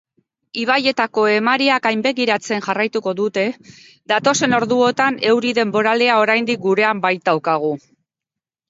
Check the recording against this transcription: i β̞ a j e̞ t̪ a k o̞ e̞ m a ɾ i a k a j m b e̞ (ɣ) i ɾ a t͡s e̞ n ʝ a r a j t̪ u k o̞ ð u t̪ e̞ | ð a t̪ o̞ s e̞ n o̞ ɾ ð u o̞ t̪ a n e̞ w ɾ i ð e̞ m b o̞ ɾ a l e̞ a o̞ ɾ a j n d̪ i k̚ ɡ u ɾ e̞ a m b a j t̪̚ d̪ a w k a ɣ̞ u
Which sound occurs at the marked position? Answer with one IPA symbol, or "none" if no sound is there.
ɣ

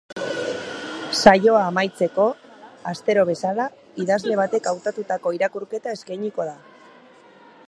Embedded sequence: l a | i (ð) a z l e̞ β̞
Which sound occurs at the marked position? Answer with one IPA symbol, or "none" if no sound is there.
ð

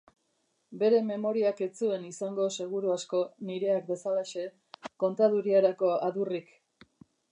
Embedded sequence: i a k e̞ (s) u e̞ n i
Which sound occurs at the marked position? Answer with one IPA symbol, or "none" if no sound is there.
t͡s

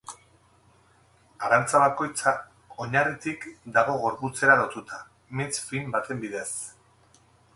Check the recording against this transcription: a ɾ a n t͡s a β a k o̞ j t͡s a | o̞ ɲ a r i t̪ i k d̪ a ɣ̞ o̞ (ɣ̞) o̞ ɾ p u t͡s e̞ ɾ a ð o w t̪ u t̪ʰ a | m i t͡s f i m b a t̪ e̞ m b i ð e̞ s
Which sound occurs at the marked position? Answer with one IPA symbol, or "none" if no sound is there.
ɣ̞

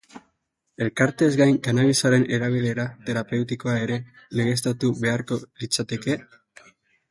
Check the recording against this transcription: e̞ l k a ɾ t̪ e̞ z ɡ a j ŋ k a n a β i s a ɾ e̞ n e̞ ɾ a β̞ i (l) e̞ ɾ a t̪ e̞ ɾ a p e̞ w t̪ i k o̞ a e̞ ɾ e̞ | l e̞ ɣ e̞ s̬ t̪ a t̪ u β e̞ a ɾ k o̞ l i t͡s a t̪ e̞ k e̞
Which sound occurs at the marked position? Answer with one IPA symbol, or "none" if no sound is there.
l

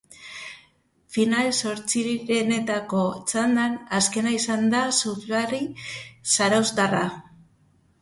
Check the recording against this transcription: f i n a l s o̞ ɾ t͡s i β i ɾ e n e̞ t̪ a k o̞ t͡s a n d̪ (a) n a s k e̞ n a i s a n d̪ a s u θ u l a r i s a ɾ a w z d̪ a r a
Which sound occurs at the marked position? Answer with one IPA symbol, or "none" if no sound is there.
a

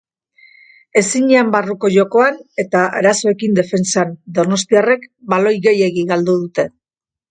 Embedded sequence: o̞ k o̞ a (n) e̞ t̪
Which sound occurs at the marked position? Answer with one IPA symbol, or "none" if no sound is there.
n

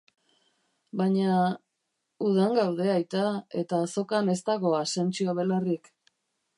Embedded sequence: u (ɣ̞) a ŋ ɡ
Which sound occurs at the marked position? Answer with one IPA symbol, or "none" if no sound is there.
ð̞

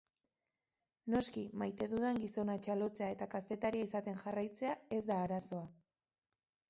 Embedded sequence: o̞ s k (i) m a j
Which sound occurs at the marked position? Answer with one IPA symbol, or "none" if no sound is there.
i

